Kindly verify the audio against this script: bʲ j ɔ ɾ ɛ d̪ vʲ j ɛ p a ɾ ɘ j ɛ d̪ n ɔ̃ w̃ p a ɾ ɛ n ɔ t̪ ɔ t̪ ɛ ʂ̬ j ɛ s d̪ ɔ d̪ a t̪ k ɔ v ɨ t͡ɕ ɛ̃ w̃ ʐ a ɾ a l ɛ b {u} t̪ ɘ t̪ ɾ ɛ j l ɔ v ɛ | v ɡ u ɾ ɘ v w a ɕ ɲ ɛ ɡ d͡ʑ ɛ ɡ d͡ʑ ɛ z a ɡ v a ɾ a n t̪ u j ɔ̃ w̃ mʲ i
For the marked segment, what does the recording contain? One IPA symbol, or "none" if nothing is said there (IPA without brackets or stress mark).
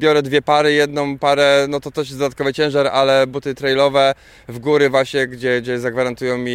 u